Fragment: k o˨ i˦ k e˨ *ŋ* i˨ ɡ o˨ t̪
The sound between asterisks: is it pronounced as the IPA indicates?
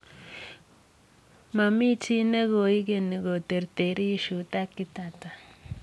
no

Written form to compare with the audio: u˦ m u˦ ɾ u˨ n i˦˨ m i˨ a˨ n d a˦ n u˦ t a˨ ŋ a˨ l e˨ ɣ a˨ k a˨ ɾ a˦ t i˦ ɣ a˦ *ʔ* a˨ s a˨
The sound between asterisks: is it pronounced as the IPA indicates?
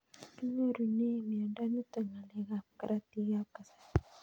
no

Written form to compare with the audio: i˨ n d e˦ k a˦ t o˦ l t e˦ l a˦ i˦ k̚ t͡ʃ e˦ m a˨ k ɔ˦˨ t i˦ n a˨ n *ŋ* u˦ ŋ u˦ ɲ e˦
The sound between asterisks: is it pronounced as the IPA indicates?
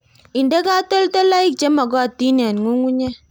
yes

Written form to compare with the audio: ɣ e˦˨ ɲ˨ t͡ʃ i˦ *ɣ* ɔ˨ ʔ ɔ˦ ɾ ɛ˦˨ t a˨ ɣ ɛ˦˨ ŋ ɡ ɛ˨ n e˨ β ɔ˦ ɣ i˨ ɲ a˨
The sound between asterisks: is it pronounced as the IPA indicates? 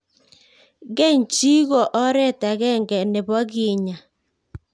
yes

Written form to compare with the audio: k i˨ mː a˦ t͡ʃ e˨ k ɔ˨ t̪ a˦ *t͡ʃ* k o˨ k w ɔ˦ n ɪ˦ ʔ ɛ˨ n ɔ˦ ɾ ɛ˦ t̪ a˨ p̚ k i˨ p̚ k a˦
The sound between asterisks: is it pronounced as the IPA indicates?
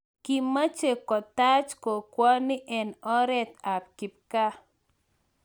yes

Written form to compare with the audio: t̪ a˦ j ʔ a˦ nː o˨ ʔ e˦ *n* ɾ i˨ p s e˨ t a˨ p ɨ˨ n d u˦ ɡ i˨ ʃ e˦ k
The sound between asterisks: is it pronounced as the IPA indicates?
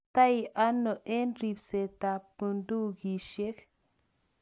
yes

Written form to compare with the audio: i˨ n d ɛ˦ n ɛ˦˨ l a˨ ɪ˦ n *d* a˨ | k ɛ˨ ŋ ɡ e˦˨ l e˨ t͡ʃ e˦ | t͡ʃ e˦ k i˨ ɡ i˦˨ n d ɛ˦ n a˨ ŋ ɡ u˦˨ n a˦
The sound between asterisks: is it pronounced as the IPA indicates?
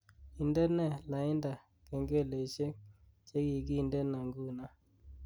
yes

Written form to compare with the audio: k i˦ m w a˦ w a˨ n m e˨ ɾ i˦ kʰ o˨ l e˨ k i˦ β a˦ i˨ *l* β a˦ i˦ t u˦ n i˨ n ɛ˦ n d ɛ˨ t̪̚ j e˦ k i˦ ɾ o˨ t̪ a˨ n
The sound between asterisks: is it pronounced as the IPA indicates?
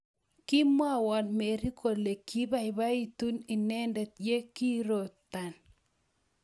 no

